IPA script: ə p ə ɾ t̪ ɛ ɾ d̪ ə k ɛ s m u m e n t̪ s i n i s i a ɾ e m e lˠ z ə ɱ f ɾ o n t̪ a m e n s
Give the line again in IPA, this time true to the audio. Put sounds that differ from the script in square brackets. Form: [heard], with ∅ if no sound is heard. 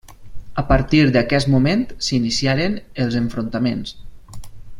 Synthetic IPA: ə p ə ɾ t̪ [i] ɾ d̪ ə k ɛ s m u m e n t̪ s i n i s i a ɾ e [n] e lˠ z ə ɱ f ɾ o n t̪ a m e n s